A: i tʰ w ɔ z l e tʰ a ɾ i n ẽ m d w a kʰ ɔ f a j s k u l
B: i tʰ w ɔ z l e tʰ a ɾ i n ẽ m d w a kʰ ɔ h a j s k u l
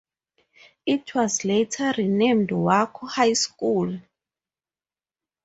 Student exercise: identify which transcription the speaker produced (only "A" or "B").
B